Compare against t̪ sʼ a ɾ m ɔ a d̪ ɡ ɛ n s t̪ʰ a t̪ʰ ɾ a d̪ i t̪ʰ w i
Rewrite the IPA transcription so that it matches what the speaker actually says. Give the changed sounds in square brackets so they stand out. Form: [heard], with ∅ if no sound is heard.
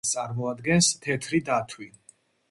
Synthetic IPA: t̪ sʼ a ɾ m ɔ a d̪ ɡ ɛ n s t̪ʰ [ɛ] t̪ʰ ɾ [i] d̪ [a] t̪ʰ w i